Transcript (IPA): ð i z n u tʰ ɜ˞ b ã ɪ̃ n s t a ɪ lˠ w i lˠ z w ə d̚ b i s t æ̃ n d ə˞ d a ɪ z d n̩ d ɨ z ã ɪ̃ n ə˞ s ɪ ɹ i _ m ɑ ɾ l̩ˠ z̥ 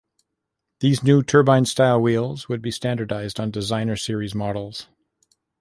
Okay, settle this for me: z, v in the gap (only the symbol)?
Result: z